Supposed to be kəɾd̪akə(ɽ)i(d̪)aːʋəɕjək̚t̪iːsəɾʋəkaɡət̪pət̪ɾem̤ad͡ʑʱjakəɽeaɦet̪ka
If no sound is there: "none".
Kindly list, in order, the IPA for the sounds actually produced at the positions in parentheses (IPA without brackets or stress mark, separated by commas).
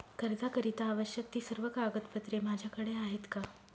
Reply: ɾ, t̪